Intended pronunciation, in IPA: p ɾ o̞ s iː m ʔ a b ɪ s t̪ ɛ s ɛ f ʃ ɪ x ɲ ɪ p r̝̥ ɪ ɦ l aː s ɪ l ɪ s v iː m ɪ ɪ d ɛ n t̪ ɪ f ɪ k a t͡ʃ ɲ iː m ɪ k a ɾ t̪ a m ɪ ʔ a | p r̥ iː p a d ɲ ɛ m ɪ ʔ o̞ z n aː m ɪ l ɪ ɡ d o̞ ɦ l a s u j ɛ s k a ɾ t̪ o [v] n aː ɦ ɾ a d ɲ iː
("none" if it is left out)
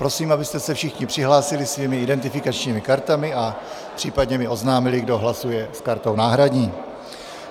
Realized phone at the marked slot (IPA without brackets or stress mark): w